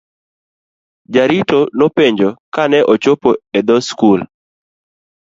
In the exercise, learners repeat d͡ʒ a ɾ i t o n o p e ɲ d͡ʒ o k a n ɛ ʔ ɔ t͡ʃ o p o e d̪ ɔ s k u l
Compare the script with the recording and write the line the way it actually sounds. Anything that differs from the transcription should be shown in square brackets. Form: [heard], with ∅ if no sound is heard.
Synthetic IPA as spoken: d͡ʒ a ɾ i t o n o p e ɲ d͡ʒ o k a n ɛ ʔ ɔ t͡ʃ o p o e d̪ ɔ s k u l